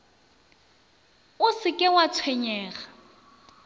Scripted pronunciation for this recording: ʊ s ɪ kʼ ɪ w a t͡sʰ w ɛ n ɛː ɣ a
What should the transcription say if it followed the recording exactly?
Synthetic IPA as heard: ʊ s ɪ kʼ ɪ w a t͡sʰ w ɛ ɲ ɛː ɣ a